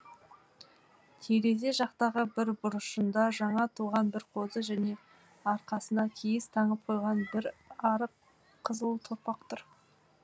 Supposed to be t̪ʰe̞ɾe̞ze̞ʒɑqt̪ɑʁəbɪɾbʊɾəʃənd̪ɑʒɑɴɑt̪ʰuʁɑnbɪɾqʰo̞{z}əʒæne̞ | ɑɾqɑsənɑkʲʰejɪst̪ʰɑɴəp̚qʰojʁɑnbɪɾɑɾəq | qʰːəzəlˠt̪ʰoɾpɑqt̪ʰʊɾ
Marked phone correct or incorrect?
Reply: correct